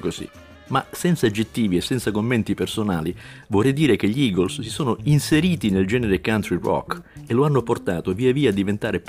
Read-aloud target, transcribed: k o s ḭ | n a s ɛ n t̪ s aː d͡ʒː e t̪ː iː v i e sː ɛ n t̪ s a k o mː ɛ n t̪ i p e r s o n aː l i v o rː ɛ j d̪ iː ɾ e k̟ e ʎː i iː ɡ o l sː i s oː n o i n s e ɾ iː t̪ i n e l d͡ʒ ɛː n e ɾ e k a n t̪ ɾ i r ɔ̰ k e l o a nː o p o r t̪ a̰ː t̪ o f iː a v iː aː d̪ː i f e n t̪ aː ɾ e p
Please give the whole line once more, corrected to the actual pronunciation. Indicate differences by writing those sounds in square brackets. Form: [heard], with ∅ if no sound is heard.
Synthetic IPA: k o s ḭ | [m] a s ɛ n t̪ s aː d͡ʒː e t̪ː iː v i e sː ɛ n t̪ s a k o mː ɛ n t̪ i p e r s o n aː l i v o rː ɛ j d̪ iː ɾ e k̟ e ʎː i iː ɡ o l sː i s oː n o i n s e ɾ iː t̪ i n e l d͡ʒ ɛː n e ɾ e k a n t̪ ɾ i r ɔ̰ k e l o a nː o p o r t̪ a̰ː t̪ o [v] iː a v iː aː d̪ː i [v] e n t̪ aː ɾ e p